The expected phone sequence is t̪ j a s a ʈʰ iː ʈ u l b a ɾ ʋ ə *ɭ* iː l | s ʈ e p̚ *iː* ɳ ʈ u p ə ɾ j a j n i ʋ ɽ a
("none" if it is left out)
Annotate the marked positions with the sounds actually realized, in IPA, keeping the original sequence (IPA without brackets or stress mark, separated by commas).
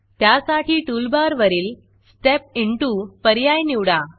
ɾ, i